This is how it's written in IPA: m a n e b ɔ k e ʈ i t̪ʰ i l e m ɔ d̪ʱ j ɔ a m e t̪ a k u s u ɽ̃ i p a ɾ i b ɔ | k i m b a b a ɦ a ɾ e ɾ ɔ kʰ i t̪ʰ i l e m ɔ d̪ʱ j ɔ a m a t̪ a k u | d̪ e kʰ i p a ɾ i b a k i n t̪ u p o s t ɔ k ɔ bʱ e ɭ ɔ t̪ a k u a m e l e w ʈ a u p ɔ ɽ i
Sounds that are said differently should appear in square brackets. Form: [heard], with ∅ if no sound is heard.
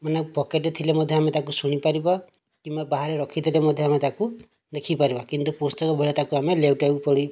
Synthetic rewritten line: m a n e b ɔ k e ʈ [e] t̪ʰ i l e m ɔ d̪ʱ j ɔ a m e t̪ a k u s u ɽ̃ i p a ɾ i b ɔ | k i m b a b a ɦ a ɾ e ɾ ɔ kʰ i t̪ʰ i l e m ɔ d̪ʱ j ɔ a m [e] t̪ a k u | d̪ e kʰ i p a ɾ i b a k i n t̪ u p o s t ɔ k ɔ bʱ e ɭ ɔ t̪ a k u a m e l e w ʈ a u p ɔ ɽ i

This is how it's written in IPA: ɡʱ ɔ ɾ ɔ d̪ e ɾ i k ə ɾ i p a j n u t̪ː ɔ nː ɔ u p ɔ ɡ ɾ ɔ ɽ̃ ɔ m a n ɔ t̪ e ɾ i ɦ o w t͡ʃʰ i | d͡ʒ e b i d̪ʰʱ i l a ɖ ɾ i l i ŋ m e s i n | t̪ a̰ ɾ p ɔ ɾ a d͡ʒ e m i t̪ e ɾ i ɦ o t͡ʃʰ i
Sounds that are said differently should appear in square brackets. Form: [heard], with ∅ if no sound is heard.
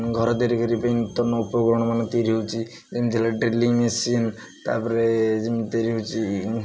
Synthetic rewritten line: ɡʱ ɔ ɾ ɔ d̪ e ɾ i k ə ɾ i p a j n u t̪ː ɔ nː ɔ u p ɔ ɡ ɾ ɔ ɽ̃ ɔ m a n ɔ t̪ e ɾ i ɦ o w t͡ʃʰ i | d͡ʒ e [m] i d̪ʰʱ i l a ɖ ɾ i l i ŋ m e s i n | t̪ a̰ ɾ p ɔ ɾ [e] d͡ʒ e m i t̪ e ɾ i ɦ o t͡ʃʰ i

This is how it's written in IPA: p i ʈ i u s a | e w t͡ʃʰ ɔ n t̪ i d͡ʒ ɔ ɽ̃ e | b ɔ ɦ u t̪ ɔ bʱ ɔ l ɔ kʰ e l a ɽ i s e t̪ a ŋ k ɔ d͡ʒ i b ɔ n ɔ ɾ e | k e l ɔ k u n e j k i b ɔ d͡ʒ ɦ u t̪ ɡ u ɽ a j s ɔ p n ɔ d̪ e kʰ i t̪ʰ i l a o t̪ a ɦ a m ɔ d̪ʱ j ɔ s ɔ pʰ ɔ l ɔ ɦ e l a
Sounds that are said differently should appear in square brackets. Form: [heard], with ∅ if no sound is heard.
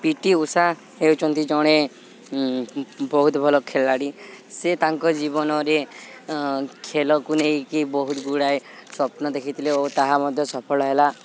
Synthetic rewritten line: p i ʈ i u s a | e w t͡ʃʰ ɔ n t̪ i d͡ʒ ɔ ɽ̃ e | b ɔ ɦ u t̪ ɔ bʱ ɔ l ɔ kʰ e l a ɽ i s e t̪ a ŋ k ɔ d͡ʒ i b ɔ n ɔ ɾ e | [kʰ] e l ɔ k u n e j k i b ɔ [∅] ɦ u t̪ ɡ u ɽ a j s ɔ p n ɔ d̪ e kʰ i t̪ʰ i l [e] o t̪ a ɦ a m ɔ d̪ʱ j ɔ s ɔ pʰ ɔ l ɔ ɦ e l a

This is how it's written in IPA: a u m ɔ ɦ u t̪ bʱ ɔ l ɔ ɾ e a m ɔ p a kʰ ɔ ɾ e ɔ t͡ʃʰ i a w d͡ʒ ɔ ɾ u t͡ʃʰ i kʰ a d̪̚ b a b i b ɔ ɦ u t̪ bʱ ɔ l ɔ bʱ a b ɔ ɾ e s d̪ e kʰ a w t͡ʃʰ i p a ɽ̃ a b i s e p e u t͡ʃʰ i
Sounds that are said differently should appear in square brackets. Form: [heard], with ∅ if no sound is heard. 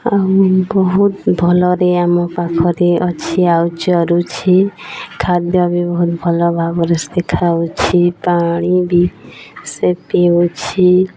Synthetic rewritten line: a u [b] ɔ ɦ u t̪ bʱ ɔ l ɔ ɾ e a m ɔ p a kʰ ɔ ɾ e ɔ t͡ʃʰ i a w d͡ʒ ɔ ɾ u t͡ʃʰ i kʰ a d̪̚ b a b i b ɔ ɦ u t̪ bʱ ɔ l ɔ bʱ a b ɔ ɾ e s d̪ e kʰ a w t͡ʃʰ i p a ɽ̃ [i] b i s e p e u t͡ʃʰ i

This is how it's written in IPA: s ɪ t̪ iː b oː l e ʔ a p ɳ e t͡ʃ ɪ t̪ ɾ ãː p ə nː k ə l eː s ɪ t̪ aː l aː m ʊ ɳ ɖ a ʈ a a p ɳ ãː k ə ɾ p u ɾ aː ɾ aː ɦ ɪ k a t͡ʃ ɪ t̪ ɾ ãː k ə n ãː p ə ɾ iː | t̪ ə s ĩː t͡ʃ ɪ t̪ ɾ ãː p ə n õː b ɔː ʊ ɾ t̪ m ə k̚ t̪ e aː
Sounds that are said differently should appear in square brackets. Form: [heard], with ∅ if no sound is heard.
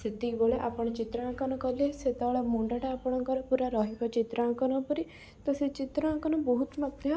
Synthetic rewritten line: s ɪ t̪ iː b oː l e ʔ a p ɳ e t͡ʃ ɪ t̪ ɾ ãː [k] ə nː k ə l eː s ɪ t̪ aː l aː m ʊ ɳ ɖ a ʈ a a p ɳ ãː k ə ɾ p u ɾ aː ɾ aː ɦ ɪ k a t͡ʃ ɪ t̪ ɾ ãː k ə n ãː p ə ɾ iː | t̪ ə s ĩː t͡ʃ ɪ t̪ ɾ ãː [k] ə n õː b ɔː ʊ [∅] t̪ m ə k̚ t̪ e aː

